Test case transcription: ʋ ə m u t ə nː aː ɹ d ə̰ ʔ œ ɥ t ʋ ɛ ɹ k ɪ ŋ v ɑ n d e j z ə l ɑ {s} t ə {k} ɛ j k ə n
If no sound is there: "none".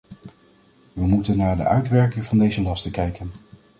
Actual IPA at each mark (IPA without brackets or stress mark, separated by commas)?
s, k